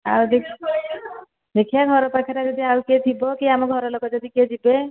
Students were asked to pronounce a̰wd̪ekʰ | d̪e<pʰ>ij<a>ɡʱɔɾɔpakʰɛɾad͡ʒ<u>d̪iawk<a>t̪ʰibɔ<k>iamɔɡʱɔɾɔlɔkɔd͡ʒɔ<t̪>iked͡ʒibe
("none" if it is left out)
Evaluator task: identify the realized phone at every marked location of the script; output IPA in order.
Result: kʰ, a, ɔ, e, k, d̪

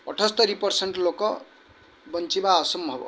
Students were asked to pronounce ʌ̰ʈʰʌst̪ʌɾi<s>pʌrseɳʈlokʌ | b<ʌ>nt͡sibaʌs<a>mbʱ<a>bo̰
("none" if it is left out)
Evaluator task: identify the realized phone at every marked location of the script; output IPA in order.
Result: none, ʌ, ʌ, ʌ

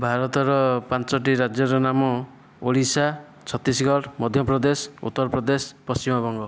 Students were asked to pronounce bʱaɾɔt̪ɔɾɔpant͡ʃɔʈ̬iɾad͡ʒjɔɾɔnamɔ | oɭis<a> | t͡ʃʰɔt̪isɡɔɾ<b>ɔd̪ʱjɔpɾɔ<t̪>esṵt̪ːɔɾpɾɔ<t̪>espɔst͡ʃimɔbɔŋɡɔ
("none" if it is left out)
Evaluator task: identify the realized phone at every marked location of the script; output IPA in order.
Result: a, m, d̪, d̪

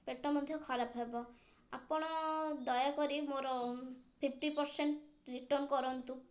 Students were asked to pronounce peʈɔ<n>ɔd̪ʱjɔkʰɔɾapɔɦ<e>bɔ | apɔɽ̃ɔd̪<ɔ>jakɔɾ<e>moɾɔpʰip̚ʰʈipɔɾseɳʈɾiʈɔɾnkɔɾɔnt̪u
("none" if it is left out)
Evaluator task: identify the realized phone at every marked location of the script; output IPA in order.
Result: m, e, ɔ, i

